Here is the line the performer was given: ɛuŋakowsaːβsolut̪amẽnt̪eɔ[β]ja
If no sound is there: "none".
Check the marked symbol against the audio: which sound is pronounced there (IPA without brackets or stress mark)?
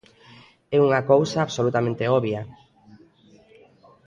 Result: β